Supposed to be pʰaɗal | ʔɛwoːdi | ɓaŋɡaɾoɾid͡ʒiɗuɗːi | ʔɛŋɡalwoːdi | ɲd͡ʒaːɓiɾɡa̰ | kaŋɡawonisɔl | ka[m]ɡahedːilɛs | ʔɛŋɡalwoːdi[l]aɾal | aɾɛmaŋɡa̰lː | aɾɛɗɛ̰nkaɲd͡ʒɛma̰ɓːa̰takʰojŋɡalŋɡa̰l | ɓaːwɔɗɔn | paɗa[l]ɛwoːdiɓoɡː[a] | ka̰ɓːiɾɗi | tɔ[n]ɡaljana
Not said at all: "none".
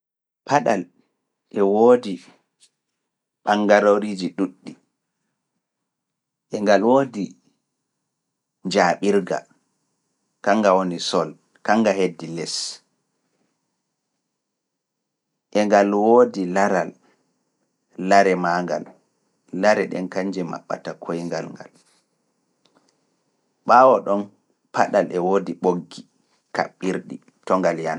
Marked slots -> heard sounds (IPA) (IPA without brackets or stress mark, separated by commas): ŋ, l, l, i, ŋ